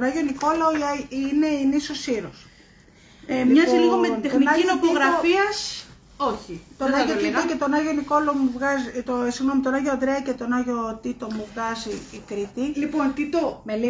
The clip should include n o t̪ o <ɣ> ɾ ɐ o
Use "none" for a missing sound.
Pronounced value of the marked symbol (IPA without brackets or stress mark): ɣ